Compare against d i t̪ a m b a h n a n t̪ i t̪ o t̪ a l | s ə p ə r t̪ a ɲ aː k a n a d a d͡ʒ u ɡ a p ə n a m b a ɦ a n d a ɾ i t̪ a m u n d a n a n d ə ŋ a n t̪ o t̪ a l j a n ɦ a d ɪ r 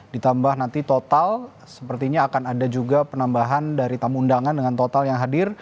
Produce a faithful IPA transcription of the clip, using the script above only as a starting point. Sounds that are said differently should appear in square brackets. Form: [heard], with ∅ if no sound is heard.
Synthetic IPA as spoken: d i t̪ a m b a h n a n t̪ i t̪ o t̪ a l | s ə p ə r t̪ [i] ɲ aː k a n a d a d͡ʒ u ɡ a p ə n a m b a ɦ a n d a ɾ i t̪ a m u n d a [ŋ] a n d ə ŋ a n t̪ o t̪ a l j a [ŋ] ɦ a d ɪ r

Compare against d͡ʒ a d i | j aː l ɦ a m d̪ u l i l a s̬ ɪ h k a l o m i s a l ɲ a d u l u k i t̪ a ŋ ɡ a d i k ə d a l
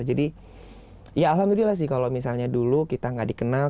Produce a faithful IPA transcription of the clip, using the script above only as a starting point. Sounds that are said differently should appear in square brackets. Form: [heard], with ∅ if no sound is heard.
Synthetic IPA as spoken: d͡ʒ a d i | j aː l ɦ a m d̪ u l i l a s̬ ɪ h k a l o m i s a l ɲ a d u l u k i t̪ a ŋ ɡ a d i k ə [n] a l

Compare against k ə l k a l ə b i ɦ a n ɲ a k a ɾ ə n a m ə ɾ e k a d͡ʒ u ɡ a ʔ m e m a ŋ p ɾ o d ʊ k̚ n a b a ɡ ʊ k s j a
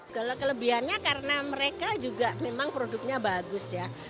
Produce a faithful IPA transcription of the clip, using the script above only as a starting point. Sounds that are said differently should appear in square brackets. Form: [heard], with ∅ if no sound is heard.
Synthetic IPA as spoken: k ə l k [ə] l ə b i ɦ a n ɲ a k a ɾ ə n a m ə ɾ e k a d͡ʒ u ɡ a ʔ m e m a ŋ p ɾ o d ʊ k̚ [ɲ] a b a ɡ ʊ [∅] s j a

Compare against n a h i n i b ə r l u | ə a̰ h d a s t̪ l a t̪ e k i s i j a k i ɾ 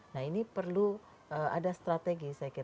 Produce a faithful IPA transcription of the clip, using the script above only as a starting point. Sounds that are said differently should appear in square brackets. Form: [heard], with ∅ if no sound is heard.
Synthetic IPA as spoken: n a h i n i [p] ə r l u | ə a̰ [∅] d a s t̪ [ɾ] a t̪ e [ɡ] i s [a] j a k i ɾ

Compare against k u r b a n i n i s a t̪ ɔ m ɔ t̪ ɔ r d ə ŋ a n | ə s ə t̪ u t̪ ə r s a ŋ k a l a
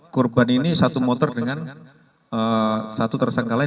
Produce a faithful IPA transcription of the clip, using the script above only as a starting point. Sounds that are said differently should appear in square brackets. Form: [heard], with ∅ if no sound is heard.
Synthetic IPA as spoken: k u r b a n i n i s a t̪ [u] m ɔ t̪ ɔ r d ə ŋ a n | ə s [a] t̪ u t̪ ə r s a ŋ k a l a

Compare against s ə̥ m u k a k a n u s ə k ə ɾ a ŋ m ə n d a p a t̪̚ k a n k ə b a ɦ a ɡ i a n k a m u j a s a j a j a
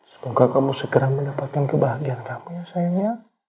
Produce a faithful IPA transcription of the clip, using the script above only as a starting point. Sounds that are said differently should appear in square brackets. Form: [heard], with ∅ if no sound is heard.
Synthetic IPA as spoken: s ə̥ m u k a k a [m] u s ə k ə ɾ a ŋ m ə n d a p a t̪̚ k a n k ə b a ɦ a ɡ i a n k a m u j a s a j a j a

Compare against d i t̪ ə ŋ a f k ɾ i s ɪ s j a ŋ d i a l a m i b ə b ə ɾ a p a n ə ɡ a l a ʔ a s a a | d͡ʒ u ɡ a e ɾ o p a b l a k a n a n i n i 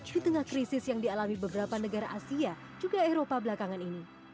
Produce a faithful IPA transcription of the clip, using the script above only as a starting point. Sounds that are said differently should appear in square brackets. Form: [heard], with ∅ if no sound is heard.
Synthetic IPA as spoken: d i t̪ ə ŋ a [h] k ɾ i s ɪ s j a ŋ d i a l a m i b ə b ə ɾ a p a n ə ɡ a [ɾ] a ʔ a s [i] a | d͡ʒ u ɡ a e ɾ o p a b l a k a [ŋ] a n i n i

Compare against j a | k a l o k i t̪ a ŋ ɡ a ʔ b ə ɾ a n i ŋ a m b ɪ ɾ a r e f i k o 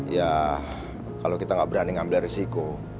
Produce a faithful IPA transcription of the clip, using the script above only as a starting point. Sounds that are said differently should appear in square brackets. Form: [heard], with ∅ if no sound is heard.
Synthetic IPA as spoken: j a | k a l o k i t̪ a ŋ ɡ a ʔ b ə ɾ a n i ŋ a m b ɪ [l] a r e [s] i k o

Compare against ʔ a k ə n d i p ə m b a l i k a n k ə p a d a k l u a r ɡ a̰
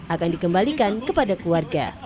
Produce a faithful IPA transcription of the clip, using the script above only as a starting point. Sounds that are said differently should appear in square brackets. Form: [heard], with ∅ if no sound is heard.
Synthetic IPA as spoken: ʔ a k [a] n d i [k] ə m b a l i k a n k ə p a d a k l u a r ɡ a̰

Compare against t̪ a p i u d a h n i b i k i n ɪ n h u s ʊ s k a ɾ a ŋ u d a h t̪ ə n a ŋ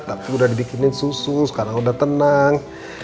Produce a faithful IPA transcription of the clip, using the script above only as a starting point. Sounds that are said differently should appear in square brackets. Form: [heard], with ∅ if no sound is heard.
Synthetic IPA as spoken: t̪ a p i u d a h [d] i b i k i n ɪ n [s] u s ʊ s k a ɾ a ŋ u d a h t̪ ə n a ŋ

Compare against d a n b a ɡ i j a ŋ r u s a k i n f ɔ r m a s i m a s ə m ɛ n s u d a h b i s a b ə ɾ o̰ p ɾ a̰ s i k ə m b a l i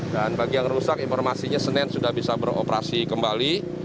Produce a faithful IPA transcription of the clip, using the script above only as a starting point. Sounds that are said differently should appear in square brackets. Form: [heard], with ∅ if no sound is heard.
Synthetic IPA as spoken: d a n b a ɡ i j a ŋ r u s a k i n f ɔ r m a s i [ɲ] a s ə [n] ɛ n s u d a h b i s a b ə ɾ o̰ p ɾ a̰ s i k ə m b a l i

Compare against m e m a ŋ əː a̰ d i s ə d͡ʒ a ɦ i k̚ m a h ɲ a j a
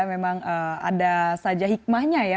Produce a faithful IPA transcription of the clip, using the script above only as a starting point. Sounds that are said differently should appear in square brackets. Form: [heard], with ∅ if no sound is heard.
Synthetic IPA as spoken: m e m a ŋ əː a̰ d [a] s [a] d͡ʒ a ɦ i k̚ m a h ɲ a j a

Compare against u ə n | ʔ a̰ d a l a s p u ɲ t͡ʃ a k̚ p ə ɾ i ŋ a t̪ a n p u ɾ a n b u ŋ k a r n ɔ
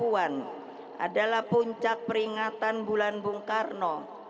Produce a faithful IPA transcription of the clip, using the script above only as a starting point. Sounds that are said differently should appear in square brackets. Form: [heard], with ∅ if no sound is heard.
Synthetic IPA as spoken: u [a] n | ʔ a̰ d a l a [h] p u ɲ t͡ʃ a k̚ p ə ɾ i ŋ a t̪ a n [b] u [l] a n b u ŋ k a r n ɔ

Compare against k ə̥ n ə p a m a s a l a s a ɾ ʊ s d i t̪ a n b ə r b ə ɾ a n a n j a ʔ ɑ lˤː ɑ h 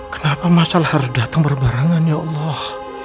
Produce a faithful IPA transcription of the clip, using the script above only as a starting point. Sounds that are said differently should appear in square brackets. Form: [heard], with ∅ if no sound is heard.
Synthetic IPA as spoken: k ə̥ n [a] p a m a s a l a [h] a ɾ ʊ s d [a] t̪ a [ŋ] b ə r b [a] ɾ a [ŋ] a n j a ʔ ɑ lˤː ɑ h

